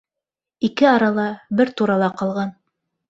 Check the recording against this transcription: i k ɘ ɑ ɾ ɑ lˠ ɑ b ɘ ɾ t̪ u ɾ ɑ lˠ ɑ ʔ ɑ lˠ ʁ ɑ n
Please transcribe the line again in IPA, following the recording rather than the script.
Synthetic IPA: i k ɘ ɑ ɾ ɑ lˠ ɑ b ɘ ɾ t̪ u ɾ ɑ lˠ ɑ q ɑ lˠ ʁ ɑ n